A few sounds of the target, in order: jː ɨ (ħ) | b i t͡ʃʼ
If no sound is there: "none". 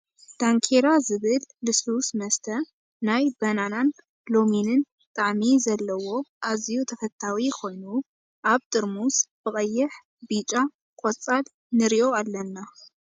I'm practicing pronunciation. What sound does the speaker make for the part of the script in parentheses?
ħ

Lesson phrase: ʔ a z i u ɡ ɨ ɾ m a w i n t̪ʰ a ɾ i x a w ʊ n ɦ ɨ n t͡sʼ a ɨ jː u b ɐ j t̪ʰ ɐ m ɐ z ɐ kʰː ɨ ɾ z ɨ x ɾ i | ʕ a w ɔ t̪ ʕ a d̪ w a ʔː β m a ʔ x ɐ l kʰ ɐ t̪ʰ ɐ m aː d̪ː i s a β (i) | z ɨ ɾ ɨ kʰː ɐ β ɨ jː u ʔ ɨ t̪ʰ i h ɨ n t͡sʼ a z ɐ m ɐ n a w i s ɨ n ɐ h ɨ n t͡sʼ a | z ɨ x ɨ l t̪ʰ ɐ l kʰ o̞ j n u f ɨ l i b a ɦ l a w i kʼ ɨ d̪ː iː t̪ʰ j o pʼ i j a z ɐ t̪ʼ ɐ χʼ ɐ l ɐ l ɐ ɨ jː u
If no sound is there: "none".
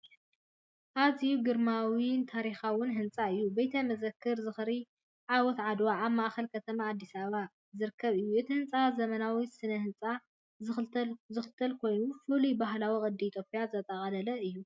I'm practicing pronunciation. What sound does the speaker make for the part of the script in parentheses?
a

